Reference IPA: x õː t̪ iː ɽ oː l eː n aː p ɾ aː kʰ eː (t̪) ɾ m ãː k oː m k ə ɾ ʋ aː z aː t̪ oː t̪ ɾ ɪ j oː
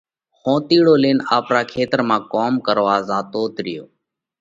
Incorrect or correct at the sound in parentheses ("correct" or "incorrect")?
correct